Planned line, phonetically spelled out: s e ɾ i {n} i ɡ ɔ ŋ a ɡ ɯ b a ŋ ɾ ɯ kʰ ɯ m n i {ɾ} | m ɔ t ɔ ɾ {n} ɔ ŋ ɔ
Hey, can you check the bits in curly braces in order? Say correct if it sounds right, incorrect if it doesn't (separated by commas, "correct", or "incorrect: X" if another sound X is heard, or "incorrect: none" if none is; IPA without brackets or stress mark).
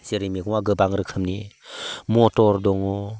incorrect: m, incorrect: none, incorrect: d